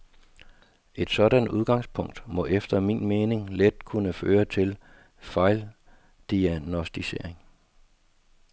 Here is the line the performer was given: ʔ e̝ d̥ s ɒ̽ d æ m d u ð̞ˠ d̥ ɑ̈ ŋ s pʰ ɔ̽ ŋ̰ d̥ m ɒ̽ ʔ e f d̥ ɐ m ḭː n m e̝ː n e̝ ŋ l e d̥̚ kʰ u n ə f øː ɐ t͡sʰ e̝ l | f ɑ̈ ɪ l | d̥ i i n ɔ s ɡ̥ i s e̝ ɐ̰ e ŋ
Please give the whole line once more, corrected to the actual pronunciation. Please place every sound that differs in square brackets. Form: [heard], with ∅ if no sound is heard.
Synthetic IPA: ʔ e̝ d̥ s ɒ̽ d æ [n] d u ð̞ˠ [ɡ̥] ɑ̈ ŋ s pʰ ɔ̽ ŋ̰ d̥ m ɒ̽ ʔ e f d̥ ɐ m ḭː n m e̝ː n e̝ ŋ l e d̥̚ kʰ u n ə f øː ɐ t͡sʰ e̝ l | f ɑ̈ ɪ l | d̥ i [æ] n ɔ s [d̥] i s e̝ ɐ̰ e ŋ